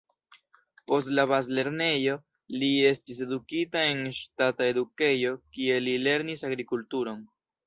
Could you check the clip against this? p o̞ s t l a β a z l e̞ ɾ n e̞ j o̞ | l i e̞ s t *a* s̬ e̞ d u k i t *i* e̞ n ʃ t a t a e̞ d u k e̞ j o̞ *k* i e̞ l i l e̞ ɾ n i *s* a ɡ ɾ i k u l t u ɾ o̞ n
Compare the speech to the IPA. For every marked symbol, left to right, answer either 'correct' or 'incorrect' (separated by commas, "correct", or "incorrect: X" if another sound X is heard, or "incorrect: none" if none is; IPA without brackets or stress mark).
incorrect: i, incorrect: a, correct, correct